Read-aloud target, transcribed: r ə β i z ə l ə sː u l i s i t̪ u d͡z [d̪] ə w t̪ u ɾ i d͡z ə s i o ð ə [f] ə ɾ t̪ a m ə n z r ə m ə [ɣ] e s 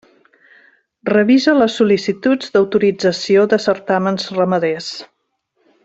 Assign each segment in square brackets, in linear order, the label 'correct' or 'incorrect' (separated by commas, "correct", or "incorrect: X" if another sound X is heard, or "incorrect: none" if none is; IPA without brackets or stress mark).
correct, incorrect: s, incorrect: ð